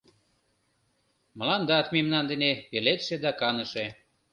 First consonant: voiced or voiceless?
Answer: voiced